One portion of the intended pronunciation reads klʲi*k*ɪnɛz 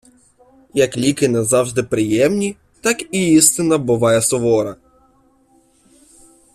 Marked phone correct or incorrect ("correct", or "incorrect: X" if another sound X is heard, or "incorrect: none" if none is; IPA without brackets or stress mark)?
correct